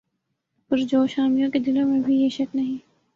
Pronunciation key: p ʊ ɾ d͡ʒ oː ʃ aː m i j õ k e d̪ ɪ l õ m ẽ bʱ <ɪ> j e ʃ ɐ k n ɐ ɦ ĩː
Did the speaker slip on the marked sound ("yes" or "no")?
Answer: yes